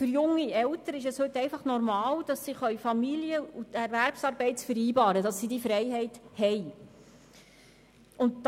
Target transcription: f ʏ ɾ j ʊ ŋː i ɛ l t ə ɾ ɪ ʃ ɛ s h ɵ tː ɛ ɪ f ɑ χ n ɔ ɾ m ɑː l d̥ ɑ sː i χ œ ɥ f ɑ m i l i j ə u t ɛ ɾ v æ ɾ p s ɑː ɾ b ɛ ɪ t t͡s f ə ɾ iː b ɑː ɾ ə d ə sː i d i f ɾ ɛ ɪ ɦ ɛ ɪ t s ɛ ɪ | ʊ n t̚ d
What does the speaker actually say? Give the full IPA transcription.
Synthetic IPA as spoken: f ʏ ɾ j ʊ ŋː i ɛ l t ə ɾ ɪ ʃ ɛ s h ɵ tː ɛ ɪ f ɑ χ n ɔ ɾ m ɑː l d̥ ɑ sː i χ œ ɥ f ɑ m i l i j ə u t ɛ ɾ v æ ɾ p s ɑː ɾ b ɛ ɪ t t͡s f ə ɾ iː b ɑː ɾ ə d ɑ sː i d i f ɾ ɛ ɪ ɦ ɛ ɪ t h ɛ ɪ | ʊ n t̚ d